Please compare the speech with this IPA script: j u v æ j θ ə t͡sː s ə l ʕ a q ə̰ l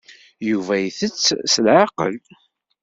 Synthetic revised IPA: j u v æ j θ ə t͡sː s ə l ʕ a q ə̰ l